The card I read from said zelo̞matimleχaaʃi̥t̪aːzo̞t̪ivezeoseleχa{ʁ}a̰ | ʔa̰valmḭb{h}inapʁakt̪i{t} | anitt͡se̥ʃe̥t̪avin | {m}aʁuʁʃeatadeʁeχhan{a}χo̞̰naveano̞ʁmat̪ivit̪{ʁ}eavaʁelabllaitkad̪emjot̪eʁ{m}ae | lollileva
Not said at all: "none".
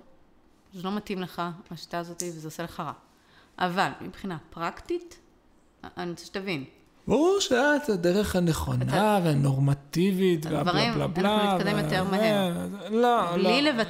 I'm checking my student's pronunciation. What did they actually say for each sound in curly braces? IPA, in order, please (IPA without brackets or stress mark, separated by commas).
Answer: ʁ, χ, t, b, e, v, m